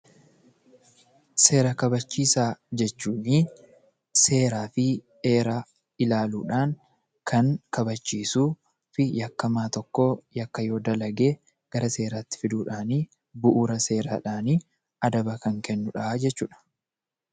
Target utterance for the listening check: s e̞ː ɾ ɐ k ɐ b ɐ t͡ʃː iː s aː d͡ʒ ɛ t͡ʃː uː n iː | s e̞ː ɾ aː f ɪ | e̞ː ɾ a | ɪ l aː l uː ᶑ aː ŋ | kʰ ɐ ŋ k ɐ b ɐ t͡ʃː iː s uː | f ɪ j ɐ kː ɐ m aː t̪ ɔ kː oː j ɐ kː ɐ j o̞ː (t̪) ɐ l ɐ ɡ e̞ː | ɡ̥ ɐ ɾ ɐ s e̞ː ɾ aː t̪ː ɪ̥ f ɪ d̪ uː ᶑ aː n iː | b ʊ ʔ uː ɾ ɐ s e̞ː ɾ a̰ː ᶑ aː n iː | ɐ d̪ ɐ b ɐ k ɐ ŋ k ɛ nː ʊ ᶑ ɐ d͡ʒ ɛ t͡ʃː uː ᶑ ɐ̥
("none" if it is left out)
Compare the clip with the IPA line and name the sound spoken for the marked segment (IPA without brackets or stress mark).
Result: d̪